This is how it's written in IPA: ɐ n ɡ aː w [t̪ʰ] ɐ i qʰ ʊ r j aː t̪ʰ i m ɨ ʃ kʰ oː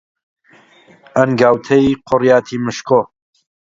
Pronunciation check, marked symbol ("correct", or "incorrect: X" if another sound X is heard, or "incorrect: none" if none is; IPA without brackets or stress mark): correct